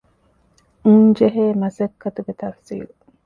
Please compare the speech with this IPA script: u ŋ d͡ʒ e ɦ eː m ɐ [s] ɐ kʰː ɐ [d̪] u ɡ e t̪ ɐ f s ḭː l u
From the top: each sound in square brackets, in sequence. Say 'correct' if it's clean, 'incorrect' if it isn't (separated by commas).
correct, incorrect